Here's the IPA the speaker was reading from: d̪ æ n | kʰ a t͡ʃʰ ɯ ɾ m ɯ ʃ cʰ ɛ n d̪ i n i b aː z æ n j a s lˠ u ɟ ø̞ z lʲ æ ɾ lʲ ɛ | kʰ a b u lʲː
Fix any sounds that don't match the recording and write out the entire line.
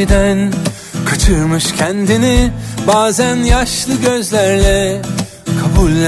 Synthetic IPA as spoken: d̪ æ n | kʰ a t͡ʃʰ ɯ ɾ m ɯ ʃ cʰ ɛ n d̪ i n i b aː z æ n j a ʃ lˠ ɯ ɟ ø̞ z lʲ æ ɾ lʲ ɛ | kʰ a b u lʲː